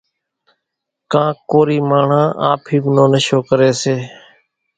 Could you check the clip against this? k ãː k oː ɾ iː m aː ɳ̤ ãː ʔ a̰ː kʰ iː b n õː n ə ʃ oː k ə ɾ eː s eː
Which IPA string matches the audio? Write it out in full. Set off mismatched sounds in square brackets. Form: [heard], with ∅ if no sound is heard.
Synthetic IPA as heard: k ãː k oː ɾ iː m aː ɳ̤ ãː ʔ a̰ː [pʰ] iː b n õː n ə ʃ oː k ə ɾ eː s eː